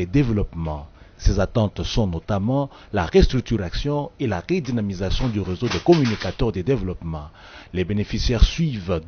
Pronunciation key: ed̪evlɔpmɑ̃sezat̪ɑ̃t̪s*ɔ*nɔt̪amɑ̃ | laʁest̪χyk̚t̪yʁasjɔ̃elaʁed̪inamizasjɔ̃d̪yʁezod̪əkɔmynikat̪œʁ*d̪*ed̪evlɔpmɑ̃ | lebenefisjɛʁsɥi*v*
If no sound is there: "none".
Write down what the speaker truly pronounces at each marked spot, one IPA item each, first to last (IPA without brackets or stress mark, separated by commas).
ɔ̃, d̪, v